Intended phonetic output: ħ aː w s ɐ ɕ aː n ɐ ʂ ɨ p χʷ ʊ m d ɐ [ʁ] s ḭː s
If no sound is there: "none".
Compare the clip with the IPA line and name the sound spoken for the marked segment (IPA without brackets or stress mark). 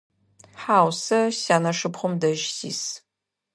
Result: ʒ